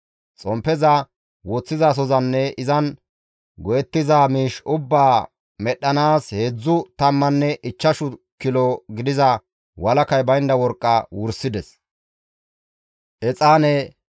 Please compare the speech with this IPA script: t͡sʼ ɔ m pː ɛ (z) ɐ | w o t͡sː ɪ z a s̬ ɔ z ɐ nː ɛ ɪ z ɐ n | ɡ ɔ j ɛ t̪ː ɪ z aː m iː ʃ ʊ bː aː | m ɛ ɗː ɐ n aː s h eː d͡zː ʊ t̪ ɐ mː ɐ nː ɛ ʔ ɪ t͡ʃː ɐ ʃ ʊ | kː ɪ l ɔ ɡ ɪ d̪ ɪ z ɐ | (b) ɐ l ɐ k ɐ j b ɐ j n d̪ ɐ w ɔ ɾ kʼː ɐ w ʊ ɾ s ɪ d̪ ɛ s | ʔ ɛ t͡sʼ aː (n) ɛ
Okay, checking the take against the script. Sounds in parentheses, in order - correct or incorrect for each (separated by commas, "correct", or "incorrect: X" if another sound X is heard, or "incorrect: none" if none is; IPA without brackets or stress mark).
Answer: correct, incorrect: w, correct